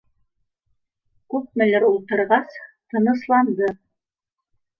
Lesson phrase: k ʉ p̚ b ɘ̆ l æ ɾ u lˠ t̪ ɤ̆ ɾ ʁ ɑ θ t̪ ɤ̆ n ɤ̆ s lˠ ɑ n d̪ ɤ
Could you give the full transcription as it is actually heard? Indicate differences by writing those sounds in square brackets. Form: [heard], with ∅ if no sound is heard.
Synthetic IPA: k ʉ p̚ [m] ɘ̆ l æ ɾ u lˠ t̪ ɤ̆ ɾ ʁ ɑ [s] t̪ ɤ̆ n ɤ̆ s lˠ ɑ n d̪ ɤ